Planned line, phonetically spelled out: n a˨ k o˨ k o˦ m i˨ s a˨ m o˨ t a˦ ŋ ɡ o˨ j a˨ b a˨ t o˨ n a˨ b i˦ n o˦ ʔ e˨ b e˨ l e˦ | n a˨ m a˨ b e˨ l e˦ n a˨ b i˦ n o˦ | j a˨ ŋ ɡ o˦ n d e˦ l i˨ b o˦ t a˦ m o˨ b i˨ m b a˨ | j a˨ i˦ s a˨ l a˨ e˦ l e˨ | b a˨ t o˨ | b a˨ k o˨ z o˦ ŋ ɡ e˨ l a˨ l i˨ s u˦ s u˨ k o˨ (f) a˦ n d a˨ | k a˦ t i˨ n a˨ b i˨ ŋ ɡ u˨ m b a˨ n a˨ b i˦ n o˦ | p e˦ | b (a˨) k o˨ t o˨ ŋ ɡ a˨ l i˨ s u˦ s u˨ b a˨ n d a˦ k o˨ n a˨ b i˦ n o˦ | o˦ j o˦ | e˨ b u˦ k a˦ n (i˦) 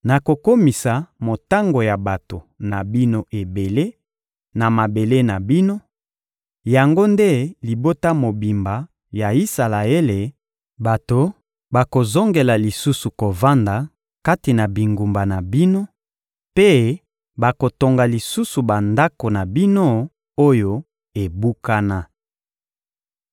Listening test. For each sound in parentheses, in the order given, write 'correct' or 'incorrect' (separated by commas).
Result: incorrect, correct, incorrect